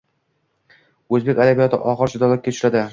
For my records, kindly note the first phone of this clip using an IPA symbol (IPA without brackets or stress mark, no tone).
ɵ